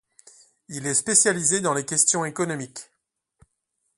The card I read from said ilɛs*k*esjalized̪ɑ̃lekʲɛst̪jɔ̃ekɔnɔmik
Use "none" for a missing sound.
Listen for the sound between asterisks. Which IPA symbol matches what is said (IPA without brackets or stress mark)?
p